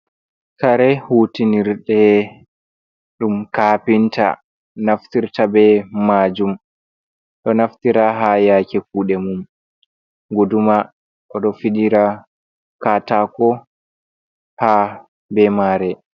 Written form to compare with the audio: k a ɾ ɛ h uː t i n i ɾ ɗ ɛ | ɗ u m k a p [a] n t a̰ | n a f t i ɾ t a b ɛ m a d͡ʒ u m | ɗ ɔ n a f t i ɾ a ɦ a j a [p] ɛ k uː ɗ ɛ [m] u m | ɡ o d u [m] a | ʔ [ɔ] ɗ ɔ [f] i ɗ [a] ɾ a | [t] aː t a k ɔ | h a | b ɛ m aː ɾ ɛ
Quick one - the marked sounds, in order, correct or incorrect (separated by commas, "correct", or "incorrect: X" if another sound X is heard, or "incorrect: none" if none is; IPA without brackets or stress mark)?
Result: incorrect: i, incorrect: k, correct, correct, correct, correct, incorrect: i, incorrect: k